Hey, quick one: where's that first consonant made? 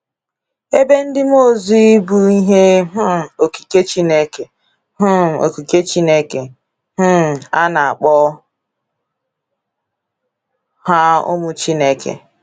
lips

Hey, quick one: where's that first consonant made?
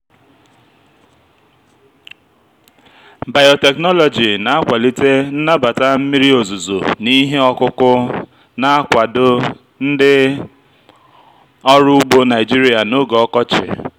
lips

